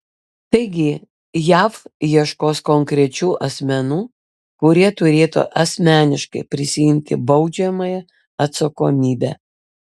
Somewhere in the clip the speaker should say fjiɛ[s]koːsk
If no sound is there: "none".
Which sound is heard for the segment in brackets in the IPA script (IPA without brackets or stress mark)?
ʃ